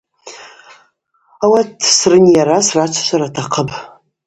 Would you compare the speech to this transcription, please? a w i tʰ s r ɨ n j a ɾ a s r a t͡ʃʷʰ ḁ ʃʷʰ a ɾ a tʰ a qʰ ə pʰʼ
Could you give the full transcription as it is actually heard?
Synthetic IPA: a w a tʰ s r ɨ n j a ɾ a s r a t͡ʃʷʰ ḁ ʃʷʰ a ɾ a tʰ a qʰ ə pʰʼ

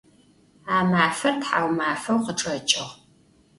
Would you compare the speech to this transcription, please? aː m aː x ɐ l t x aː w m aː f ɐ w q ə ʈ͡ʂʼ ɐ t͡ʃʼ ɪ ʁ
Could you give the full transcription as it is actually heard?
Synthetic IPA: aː m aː f ɐ r t ħ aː w m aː f ɐ w q ə ʈ͡ʂʼ ɐ t͡ʃʼ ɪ ʁ

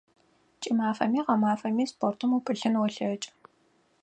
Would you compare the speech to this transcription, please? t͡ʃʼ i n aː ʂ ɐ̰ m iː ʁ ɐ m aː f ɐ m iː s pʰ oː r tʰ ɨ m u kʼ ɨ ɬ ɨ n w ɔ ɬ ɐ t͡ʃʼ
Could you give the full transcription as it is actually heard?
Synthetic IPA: t͡ʃʼ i m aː f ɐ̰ m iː ʁ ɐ m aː f ɐ m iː s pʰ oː r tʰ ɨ m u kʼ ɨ ɬ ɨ n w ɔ ɬ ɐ t͡ʃʼ

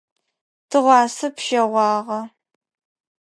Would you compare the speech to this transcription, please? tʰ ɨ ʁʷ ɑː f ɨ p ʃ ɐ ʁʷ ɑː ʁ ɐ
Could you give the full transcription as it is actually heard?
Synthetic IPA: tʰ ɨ ʁʷ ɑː s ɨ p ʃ ɐ ʁʷ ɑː ʁ ɐ

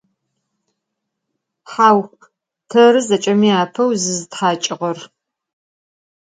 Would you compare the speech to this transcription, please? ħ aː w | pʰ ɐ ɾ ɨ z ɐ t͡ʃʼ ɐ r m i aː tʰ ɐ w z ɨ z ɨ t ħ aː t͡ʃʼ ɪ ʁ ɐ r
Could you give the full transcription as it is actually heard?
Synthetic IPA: ħ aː w | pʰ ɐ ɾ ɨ z ɐ t͡ʃʼ ɐ m i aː pʰ ɐ w z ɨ z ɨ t ħ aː t͡ʃʼ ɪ ʁ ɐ r

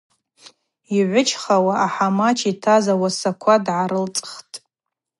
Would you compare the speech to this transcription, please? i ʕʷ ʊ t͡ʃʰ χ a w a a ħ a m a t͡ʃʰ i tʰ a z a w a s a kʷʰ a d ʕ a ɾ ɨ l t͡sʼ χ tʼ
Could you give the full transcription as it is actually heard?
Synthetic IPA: i ʕʷ ʊ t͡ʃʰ χ a w a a ħ a m a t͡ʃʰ i tʰ a z a w a s a kʷʰ a d ʕ a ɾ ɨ l t͡sʼ χ tʼ

